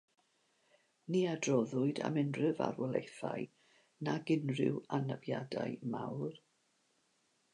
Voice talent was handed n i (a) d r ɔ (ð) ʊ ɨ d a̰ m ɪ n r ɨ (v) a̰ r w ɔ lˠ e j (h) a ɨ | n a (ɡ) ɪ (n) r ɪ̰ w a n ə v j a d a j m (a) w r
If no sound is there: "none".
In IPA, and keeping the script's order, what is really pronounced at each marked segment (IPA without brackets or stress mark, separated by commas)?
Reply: a, ð, v, θ, ɡ, n, a